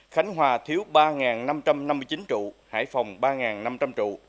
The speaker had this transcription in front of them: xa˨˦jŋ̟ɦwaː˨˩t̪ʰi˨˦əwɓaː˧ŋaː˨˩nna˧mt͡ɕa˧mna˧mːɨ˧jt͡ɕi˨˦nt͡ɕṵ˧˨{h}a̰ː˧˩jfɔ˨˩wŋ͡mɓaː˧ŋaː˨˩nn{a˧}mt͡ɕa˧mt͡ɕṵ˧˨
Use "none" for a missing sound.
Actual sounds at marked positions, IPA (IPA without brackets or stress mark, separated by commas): h, a˧